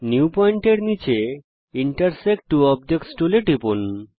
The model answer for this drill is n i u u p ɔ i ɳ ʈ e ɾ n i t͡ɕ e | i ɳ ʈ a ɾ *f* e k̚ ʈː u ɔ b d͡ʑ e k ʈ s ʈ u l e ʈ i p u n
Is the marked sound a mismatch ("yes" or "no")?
yes